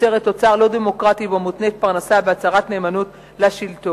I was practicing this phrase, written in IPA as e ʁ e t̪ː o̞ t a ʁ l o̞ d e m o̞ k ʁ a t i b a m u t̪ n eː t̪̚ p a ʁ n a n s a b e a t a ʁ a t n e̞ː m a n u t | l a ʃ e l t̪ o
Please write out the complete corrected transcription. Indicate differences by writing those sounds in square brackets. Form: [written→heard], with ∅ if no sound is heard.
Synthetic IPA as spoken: e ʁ e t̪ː o̞ [t→t͡s] a ʁ l o̞ d e m o̞ k ʁ a t i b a m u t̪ n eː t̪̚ p a ʁ n a [n→∅] s a b e a [t→t͡s] a ʁ a t n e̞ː m a n u t | l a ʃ [e→i] l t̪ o